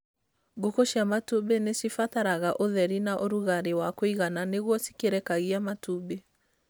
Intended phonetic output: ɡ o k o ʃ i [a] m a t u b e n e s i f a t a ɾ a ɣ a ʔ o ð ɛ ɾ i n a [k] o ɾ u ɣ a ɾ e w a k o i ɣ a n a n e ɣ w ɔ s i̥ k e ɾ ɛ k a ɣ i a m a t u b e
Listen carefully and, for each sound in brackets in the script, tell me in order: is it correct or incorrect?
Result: correct, incorrect: ʔ

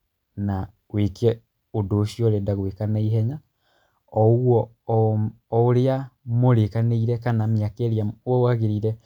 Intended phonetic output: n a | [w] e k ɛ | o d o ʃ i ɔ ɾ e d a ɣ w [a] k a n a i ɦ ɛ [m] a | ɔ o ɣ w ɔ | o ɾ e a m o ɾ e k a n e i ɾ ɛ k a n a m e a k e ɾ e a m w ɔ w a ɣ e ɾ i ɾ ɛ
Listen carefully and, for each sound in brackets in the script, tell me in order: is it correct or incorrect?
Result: correct, incorrect: e, incorrect: ɲ

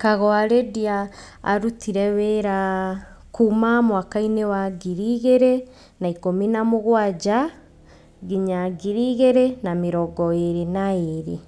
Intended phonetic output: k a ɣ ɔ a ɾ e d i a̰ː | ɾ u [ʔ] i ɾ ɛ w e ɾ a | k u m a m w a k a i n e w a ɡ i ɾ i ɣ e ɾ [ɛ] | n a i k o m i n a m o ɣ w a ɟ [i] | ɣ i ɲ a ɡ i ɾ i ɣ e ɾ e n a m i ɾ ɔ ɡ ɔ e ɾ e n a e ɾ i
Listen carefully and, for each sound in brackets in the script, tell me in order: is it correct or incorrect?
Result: incorrect: t, incorrect: e, incorrect: a

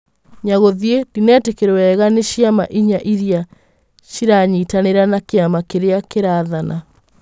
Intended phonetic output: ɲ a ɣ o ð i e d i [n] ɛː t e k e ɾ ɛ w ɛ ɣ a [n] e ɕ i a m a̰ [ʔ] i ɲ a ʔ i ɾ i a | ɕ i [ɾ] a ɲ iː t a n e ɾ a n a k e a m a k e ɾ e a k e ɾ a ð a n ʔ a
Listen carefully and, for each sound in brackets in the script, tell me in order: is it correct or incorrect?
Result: correct, correct, correct, correct

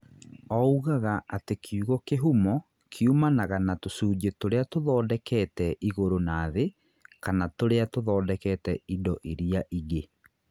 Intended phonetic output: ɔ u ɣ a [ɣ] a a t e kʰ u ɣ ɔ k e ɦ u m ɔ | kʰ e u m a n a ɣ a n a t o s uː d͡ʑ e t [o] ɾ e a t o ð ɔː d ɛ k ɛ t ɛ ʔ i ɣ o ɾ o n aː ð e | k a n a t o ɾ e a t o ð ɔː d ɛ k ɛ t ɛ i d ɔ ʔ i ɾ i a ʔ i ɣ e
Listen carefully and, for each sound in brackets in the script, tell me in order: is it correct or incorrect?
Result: correct, correct

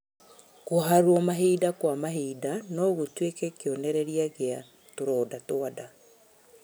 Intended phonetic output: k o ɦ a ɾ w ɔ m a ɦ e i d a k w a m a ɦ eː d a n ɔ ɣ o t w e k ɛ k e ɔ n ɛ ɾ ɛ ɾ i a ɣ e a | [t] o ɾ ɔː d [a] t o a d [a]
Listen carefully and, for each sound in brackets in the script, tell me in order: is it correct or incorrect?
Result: correct, correct, correct

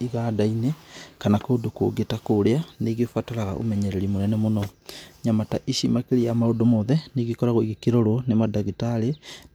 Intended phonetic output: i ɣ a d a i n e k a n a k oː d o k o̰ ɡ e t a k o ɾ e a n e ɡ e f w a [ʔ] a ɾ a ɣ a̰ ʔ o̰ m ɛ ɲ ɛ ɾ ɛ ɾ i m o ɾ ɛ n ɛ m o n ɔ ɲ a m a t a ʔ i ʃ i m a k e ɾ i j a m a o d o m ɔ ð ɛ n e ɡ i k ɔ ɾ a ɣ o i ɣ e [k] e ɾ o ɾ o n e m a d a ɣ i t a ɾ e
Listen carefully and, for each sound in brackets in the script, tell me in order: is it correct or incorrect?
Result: incorrect: t, correct

